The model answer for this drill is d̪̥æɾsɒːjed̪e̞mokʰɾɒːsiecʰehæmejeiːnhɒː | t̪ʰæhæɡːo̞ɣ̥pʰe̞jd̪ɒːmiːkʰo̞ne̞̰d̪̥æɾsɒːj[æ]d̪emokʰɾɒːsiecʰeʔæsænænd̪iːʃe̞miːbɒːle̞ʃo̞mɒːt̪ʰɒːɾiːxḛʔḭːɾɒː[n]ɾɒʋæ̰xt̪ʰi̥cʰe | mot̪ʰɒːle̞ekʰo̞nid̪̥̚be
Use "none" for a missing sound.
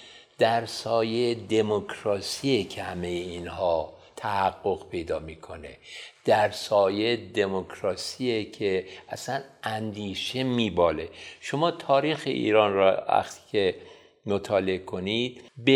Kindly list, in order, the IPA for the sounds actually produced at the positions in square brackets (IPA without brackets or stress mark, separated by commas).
e, n